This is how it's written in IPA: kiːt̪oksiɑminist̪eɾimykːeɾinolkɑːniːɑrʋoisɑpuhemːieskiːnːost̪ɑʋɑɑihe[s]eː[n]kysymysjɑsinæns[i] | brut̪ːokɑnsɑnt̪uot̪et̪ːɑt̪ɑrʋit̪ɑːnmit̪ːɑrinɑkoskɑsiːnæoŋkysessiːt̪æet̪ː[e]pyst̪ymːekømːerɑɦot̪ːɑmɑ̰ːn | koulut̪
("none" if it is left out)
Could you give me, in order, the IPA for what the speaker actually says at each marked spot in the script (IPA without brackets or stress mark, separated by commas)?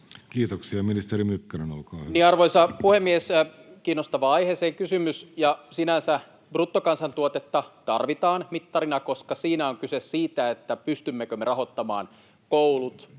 s, ŋ, æ, æ